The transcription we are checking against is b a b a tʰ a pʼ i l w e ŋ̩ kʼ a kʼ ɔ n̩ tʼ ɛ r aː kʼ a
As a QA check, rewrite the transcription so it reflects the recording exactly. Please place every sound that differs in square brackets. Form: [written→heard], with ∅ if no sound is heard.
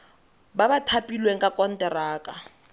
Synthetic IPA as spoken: b a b a tʰ a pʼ i l w e ŋ̩ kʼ a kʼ ɔ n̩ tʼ ɛ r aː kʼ a

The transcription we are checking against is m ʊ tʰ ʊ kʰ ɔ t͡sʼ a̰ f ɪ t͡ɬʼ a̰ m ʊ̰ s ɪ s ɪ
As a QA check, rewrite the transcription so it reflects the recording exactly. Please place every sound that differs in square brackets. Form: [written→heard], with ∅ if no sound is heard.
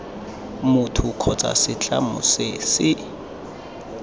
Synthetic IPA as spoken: m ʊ tʰ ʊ kʰ ɔ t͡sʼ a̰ [f→s] ɪ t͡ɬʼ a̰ m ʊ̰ s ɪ s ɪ

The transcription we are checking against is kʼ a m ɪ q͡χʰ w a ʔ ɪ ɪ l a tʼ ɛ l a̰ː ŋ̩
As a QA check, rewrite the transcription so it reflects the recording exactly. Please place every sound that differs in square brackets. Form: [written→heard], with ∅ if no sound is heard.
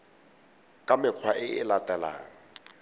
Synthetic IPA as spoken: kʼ a m ɪ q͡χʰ w a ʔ ɪ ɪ l a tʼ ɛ l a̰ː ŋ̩

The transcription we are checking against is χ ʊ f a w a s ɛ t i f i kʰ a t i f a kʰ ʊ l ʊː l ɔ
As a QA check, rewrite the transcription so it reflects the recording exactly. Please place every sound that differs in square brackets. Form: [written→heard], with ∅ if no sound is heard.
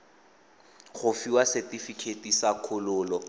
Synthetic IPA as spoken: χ ʊ f [a→i] w a s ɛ t i f i kʰ [a→e] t i [f→s] a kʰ ʊ l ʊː l ɔ

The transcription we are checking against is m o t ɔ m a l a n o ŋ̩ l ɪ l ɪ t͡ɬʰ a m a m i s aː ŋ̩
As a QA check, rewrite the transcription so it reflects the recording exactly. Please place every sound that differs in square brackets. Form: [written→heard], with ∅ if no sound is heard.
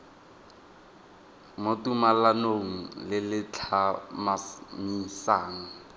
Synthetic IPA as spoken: m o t [ɔ→u] m a l a n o ŋ̩ l ɪ l ɪ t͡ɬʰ a m a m i s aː ŋ̩

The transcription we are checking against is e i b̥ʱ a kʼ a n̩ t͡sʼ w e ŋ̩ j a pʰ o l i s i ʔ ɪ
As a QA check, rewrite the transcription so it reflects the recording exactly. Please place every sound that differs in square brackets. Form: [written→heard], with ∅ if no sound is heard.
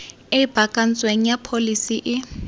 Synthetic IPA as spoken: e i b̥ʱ a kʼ a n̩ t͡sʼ w e ŋ̩ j a pʰ o l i s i ʔ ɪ

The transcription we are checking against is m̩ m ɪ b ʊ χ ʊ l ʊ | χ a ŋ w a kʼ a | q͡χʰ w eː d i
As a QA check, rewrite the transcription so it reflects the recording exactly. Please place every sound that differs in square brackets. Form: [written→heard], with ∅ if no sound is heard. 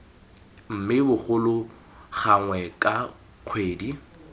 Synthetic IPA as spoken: m̩ m ɪ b ʊ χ ʊ l ʊ | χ a ŋ w [a→ɛ] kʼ a | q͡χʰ w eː d i

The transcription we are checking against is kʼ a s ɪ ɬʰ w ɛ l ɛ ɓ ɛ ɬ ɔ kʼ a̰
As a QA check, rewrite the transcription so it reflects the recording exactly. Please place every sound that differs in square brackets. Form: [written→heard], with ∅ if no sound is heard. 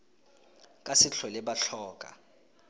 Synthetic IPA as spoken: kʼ a s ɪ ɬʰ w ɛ l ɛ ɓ [ɛ→a] ɬ [ɔ→ɔː] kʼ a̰

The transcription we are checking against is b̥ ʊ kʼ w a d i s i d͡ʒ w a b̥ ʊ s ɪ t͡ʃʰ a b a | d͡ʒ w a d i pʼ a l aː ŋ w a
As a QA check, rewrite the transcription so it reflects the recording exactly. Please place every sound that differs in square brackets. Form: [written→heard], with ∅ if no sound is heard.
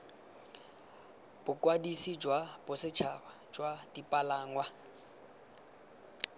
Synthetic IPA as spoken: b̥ ʊ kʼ w a d i s i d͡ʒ w a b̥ ʊ s ɪ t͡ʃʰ a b a | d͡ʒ w a d i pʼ a l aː ŋ w a

